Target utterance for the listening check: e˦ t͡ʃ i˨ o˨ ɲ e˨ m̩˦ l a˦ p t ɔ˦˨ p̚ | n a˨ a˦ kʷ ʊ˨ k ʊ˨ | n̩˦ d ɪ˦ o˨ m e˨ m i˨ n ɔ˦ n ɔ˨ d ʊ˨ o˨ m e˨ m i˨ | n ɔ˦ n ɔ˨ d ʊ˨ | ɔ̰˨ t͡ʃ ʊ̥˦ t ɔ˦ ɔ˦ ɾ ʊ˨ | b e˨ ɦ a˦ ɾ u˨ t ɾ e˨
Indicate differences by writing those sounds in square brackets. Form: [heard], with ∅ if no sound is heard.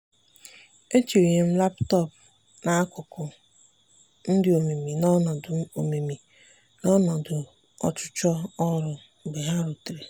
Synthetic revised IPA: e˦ t͡ʃ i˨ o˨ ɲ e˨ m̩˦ l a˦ p t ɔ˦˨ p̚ | n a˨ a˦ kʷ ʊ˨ k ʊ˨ | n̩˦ d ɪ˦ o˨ m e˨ m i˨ n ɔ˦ n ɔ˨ d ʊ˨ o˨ m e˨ m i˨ | n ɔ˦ n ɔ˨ d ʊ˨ | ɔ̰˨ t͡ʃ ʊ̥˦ [t͡ʃ] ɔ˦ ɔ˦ ɾ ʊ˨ | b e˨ ɦ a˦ ɾ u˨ t ɾ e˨